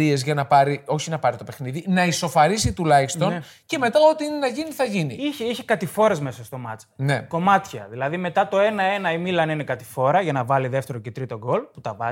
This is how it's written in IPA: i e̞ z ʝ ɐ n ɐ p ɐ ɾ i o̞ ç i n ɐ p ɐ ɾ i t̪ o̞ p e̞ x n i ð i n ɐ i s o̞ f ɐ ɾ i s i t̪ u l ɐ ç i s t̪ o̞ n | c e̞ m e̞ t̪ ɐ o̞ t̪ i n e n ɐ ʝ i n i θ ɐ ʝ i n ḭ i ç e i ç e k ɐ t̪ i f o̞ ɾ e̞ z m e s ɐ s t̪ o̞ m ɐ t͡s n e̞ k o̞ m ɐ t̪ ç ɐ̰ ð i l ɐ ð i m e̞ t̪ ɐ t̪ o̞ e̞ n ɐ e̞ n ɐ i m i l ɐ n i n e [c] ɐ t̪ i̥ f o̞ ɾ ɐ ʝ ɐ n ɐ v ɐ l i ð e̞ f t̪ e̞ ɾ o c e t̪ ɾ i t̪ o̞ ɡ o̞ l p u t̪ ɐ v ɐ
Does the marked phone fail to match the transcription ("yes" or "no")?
yes